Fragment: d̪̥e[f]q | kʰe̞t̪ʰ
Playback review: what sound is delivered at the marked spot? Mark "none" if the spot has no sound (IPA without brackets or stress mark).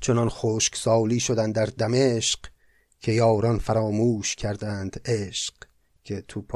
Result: ʃ